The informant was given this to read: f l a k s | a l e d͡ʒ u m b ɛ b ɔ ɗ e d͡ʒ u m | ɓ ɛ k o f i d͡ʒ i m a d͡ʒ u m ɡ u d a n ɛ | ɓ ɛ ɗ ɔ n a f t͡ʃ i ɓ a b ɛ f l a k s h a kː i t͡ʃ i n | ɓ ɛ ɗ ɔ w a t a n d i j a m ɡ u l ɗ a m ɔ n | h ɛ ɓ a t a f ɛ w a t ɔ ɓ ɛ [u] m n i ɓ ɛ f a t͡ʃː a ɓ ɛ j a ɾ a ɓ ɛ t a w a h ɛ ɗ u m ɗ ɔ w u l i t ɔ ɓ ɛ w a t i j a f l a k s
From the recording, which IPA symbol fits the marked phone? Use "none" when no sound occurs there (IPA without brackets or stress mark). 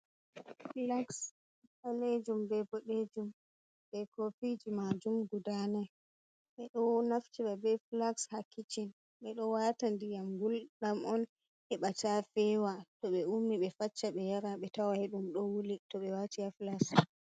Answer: u